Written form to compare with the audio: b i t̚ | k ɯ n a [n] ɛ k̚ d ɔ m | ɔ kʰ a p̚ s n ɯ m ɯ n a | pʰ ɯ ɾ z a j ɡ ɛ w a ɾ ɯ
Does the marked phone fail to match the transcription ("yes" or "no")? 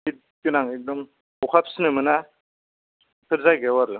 yes